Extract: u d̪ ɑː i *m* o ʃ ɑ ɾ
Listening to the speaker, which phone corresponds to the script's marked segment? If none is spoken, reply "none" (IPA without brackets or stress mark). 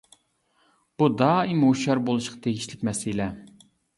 m